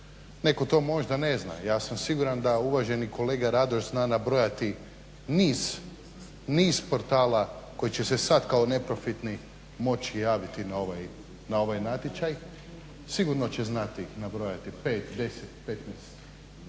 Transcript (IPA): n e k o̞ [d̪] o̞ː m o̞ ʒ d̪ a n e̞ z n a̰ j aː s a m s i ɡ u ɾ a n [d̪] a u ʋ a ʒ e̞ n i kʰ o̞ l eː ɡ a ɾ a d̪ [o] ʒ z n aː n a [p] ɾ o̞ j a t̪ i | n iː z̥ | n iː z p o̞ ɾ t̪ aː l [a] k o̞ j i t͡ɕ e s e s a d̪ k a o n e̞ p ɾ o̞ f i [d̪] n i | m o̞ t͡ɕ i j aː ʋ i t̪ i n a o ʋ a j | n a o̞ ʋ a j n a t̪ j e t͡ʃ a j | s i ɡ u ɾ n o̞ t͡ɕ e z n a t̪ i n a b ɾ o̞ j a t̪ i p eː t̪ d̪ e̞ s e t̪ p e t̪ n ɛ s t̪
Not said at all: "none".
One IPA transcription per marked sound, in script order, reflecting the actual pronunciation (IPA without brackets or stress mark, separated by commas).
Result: t̪, d̪, o, b, a, t̪